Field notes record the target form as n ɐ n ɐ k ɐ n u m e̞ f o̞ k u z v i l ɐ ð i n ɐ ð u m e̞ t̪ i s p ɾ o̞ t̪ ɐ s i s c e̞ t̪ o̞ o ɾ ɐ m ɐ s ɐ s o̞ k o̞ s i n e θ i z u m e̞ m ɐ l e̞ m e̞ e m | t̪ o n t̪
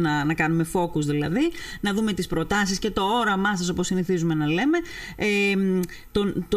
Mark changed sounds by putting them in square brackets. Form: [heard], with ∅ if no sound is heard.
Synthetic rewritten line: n ɐ n ɐ k ɐ n u m e̞ f o̞ k u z [ð] i l ɐ ð i n ɐ ð u m e̞ t̪ i s p ɾ o̞ t̪ ɐ s i s c e̞ t̪ o̞ o ɾ ɐ m ɐ s ɐ s o̞ [p] o̞ s i n [i] θ i z u m e̞ [n] ɐ l e̞ m e̞ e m | t̪ o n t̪